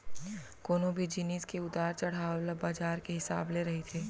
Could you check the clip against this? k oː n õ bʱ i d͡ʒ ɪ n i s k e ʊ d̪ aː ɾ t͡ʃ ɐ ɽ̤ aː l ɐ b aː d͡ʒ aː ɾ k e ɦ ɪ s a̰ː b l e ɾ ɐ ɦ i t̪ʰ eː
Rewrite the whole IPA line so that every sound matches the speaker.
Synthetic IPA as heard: k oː n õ bʱ i d͡ʒ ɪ n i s k e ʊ d̪ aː ɾ t͡ʃ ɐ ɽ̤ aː l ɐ b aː d͡ʒ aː ɾ k e ɦ ɪ s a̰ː b l e ɾ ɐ ɦ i t̪ʰ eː